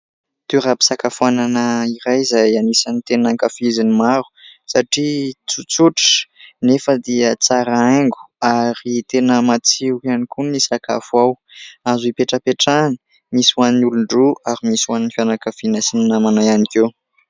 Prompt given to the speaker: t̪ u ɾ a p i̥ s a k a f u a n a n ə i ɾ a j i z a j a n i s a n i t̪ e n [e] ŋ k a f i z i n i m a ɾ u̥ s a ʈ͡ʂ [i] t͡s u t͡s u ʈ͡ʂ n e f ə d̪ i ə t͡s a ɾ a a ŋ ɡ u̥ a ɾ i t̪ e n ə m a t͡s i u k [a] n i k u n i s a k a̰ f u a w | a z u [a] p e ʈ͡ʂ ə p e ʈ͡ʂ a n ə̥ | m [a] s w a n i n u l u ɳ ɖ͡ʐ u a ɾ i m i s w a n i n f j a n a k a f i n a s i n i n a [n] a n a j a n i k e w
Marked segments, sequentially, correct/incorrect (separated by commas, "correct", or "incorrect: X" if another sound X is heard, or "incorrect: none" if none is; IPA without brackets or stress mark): incorrect: a, correct, correct, incorrect: i, incorrect: i, incorrect: m